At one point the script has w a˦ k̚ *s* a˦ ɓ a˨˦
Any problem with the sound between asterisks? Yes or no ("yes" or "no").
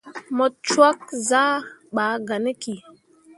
yes